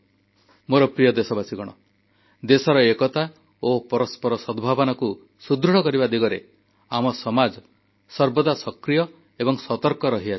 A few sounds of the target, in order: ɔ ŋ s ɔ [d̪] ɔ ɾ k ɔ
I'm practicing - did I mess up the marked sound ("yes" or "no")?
yes